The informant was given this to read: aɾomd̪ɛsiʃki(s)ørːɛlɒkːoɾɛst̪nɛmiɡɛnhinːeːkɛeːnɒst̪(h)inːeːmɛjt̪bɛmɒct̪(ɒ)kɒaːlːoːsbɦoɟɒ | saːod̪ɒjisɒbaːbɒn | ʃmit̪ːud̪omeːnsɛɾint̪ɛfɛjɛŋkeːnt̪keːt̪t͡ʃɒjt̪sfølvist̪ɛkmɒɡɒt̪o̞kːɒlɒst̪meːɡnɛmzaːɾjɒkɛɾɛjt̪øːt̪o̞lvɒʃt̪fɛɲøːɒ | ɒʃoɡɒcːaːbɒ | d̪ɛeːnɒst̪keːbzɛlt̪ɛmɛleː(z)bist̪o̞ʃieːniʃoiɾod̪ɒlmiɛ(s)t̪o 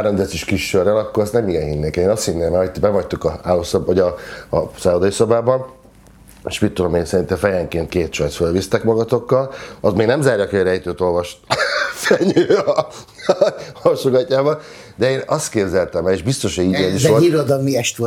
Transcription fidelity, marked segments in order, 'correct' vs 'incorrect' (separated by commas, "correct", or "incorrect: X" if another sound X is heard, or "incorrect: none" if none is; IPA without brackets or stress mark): incorrect: ʃ, correct, incorrect: u, incorrect: ʒ, incorrect: ʃ